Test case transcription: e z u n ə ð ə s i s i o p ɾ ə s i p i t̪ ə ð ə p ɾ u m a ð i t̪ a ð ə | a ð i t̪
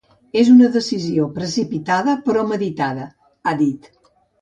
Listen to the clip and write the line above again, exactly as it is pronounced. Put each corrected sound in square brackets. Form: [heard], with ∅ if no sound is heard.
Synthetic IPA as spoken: e z u n ə ð ə s i [z] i o p ɾ ə s i p i t̪ [a] ð ə p ɾ [ɔ] m [ə] ð i t̪ a ð ə | a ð i t̪